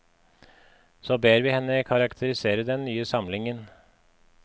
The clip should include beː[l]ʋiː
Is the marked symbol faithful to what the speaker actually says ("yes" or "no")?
no